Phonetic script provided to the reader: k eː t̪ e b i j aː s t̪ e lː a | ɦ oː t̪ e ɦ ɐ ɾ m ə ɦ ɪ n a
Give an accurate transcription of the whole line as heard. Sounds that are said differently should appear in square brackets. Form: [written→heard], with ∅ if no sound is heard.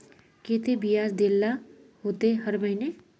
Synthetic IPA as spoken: k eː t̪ e b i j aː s [t̪→d̪] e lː a | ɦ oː t̪ e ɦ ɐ ɾ m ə ɦ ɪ n [a→e]